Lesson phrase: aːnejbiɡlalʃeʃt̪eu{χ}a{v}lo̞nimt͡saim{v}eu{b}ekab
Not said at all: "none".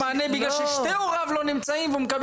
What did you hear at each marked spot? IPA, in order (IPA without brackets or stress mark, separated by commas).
ʁ, v, v, m